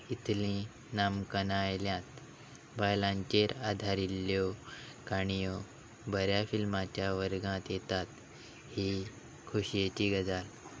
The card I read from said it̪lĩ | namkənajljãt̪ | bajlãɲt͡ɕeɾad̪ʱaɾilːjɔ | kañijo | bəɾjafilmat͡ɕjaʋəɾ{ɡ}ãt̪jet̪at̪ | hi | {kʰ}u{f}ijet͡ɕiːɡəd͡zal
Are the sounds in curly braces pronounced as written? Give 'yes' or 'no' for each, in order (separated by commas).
yes, yes, no